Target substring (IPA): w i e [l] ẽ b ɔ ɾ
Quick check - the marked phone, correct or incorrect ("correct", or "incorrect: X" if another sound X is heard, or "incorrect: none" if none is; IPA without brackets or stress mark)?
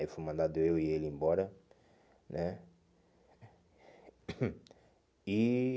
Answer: correct